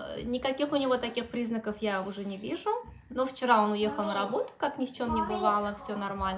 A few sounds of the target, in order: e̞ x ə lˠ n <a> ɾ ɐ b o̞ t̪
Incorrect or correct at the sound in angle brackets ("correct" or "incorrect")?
incorrect